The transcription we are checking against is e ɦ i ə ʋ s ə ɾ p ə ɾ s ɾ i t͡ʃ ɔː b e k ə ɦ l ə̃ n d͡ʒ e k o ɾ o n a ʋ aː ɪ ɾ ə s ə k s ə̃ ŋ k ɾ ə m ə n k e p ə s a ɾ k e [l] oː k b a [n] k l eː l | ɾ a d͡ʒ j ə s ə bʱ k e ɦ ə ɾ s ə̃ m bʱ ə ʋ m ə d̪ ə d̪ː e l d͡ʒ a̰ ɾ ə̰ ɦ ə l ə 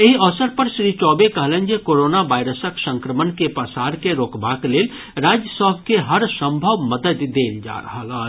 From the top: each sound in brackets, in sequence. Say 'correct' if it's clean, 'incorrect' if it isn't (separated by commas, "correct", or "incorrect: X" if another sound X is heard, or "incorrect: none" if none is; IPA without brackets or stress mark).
incorrect: ɾ, incorrect: none